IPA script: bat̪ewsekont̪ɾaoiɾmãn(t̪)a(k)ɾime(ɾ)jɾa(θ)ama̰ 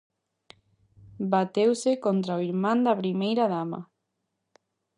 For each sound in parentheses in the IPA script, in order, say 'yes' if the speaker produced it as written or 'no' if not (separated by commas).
no, no, no, no